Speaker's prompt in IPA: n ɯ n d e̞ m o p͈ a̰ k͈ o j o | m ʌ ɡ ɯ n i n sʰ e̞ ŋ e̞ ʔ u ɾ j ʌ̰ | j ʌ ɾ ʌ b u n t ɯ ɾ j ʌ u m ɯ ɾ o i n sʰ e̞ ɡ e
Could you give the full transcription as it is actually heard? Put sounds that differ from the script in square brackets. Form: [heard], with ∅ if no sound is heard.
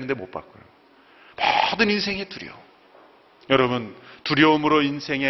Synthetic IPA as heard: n ɯ n d e̞ m o p͈ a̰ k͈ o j o | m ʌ [d] ɯ n i n sʰ e̞ ŋ e̞ [t] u ɾ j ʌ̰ | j ʌ ɾ ʌ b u n t [u] ɾ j ʌ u m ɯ ɾ o i n sʰ e̞ [ŋ] e